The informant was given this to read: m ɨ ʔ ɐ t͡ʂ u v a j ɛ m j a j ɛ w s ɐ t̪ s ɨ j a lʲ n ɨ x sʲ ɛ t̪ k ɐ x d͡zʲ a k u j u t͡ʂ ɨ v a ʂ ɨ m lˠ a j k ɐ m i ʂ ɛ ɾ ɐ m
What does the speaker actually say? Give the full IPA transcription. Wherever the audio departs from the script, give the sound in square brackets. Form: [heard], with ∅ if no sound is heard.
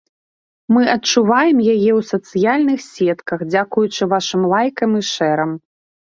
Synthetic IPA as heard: m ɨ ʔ ɐ t͡ʂ u v a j ɛ m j a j ɛ w s ɐ t̪ s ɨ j a lʲ n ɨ x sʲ ɛ t̪ k ɐ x d͡zʲ a k u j u t͡ʂ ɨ v a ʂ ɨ m lˠ a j k ɐ m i ʂ ɛ ɾ ɐ m